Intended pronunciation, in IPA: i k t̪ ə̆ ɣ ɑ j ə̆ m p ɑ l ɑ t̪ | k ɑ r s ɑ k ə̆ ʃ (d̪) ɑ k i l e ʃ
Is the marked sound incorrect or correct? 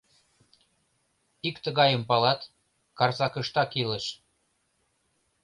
incorrect